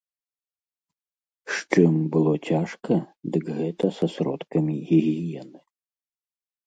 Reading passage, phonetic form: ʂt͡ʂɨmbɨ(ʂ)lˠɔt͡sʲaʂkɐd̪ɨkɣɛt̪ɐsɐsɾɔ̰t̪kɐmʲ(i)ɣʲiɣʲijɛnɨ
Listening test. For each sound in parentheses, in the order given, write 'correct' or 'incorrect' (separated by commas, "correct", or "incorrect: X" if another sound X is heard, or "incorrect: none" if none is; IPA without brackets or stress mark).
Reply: incorrect: none, correct